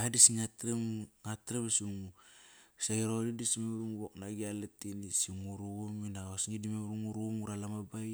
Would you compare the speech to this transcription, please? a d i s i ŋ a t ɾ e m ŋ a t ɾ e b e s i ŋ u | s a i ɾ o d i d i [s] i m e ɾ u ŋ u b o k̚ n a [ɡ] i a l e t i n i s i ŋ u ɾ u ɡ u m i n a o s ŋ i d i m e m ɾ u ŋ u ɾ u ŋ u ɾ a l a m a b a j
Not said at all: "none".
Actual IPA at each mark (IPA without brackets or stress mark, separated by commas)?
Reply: s, ɡ